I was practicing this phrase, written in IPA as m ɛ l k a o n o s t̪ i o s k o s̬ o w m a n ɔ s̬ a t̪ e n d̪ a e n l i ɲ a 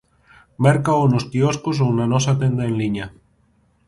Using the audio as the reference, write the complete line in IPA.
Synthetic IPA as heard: m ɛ ɾ k a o n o s t̪ i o s k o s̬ o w n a n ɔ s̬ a t̪ e n d̪ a e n l i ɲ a